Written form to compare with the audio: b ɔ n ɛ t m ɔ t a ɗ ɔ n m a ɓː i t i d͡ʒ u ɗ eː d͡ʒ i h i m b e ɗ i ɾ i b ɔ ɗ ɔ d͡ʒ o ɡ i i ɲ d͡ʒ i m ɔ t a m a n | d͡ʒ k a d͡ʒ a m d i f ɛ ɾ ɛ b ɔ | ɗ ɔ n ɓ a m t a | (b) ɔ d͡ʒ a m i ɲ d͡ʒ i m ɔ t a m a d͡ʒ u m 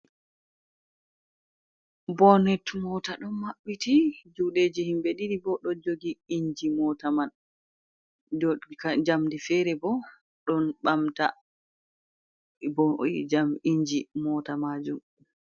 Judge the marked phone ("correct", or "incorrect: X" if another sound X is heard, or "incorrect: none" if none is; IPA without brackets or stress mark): correct